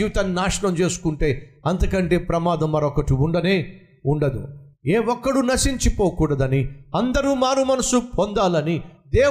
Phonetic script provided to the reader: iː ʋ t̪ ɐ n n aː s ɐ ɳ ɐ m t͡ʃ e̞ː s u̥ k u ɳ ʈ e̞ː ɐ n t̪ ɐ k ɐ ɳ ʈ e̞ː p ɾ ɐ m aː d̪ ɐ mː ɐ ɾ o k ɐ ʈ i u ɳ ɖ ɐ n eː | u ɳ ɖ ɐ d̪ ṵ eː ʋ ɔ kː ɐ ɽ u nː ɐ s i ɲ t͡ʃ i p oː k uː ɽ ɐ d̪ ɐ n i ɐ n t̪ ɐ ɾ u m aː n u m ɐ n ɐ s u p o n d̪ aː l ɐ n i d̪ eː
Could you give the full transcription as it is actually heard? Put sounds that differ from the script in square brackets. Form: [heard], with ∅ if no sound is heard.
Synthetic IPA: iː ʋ t̪ ɐ n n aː [ʂ] ɐ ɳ ɐ m t͡ʃ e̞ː s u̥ k u ɳ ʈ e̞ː ɐ n t̪ ɐ k ɐ ɳ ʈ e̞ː p ɾ ɐ m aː d̪ ɐ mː ɐ ɾ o k ɐ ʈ i u ɳ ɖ ɐ n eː | u ɳ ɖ ɐ d̪ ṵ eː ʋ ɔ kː ɐ ɽ u [n] ɐ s i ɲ t͡ʃ i p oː k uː ɽ ɐ d̪ ɐ n i ɐ n [d̪] ɐ ɾ u m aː n u m ɐ n ɐ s u p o n d̪ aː l ɐ n i d̪ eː